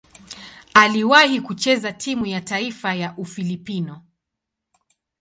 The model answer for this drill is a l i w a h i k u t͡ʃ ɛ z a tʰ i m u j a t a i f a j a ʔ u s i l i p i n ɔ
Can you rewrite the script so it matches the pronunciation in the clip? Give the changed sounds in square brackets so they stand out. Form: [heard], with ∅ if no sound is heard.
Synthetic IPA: a l i w a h i k u t͡ʃ ɛ z a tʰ i m u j a t a i f a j a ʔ u [f] i l i p i n ɔ